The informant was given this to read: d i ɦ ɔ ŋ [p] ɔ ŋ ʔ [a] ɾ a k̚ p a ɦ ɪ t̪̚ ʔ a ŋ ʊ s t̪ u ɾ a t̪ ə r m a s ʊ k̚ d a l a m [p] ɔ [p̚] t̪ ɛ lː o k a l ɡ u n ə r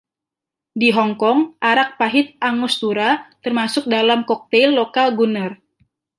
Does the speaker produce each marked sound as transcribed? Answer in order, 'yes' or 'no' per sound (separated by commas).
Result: no, yes, no, no